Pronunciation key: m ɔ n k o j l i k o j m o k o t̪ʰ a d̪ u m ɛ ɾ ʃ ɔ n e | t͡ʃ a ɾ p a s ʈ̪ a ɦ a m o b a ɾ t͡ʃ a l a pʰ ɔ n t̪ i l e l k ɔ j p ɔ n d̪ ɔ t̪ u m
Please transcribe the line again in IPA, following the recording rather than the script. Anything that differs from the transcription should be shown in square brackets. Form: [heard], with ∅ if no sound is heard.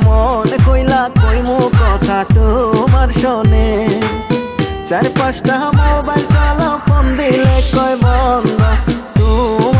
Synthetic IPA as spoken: m ɔ n k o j l [a] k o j m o k [ɔ] t̪ʰ a [t̪] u m [a] ɾ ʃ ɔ n e | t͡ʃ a ɾ p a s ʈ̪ a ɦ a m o b a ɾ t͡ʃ a l a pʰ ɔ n [d̪] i l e [∅] k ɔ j [b] ɔ n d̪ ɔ t̪ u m